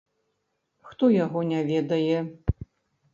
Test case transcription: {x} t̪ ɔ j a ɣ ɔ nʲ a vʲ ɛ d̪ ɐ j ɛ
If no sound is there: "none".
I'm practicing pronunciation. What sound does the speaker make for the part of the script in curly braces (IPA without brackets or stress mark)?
x